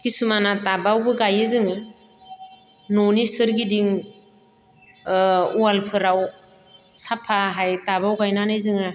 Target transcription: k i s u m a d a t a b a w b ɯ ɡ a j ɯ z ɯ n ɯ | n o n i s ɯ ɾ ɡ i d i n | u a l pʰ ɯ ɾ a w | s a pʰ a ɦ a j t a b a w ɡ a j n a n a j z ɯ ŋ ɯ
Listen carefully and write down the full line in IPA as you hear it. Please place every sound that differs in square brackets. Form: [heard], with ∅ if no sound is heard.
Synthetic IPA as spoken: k i s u m a [n] a t a b a w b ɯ ɡ a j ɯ z ɯ [ŋ] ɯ | n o n i s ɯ ɾ ɡ i d i [ŋ] | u a l pʰ ɯ ɾ a w | s a pʰ a ɦ a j t a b a w ɡ a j n a n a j z ɯ ŋ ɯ